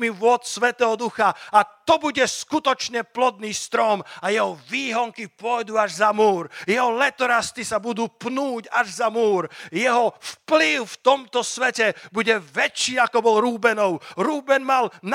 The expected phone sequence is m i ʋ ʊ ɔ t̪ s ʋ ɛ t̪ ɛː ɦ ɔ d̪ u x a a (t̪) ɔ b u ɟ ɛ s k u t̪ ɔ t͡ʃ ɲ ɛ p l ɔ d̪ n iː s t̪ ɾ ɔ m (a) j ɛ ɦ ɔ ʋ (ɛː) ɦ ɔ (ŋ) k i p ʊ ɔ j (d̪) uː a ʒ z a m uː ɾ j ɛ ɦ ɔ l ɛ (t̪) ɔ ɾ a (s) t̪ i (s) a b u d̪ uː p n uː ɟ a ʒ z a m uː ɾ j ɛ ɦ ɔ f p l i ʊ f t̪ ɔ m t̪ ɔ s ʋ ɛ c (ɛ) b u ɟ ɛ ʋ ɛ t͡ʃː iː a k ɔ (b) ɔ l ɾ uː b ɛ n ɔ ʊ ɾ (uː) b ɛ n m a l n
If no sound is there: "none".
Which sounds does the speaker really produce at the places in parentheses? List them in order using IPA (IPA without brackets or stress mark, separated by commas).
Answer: t̪, a, iː, ŋ, d̪, t̪, s, s, ɛ, b, uː